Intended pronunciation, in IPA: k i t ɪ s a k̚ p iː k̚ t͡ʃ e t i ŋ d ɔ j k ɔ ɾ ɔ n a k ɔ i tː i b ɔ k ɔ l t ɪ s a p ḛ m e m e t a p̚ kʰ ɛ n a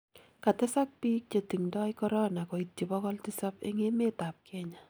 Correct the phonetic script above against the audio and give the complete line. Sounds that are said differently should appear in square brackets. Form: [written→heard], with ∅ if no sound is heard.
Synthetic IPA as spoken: k [i→a] t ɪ s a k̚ p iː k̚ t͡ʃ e t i ŋ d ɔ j k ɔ ɾ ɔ n a k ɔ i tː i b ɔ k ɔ l t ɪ s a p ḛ [m→ŋ] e m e t a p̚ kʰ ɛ [n→ɲ] a